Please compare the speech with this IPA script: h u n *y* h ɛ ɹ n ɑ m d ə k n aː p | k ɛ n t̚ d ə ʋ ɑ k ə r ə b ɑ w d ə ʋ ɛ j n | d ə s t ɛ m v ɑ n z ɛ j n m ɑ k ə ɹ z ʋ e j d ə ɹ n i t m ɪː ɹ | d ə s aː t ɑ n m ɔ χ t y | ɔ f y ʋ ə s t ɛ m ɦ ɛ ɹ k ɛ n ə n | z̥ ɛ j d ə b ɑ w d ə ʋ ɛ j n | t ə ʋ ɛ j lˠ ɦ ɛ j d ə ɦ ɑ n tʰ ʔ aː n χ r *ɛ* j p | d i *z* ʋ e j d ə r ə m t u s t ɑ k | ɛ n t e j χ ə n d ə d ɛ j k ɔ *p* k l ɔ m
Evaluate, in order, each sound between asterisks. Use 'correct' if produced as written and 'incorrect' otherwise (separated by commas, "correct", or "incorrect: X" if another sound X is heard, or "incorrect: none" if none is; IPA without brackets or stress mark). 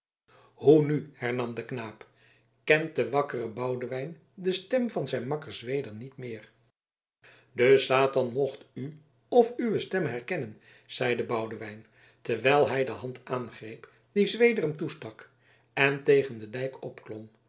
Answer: correct, incorrect: e, correct, correct